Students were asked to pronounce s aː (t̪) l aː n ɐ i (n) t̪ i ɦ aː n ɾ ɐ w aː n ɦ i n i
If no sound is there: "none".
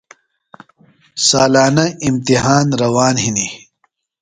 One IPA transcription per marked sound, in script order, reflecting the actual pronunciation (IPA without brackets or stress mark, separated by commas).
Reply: none, m